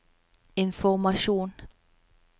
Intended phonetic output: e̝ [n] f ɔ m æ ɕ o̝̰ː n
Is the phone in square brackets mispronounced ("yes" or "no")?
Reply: no